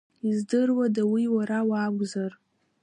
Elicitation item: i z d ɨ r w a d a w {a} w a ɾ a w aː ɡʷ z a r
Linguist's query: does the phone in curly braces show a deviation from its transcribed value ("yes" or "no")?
yes